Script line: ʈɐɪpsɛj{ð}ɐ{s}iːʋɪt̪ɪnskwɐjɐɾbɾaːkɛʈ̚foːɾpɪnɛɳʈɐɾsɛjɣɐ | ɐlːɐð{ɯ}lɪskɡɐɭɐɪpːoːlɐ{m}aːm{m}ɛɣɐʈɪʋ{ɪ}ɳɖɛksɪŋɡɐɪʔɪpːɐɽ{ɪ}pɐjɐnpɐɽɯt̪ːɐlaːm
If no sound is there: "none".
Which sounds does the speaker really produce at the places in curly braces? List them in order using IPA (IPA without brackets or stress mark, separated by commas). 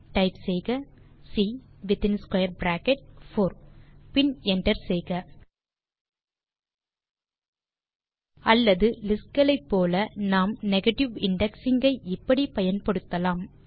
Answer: ɣ, s, ɯ, n, n, ɪ, i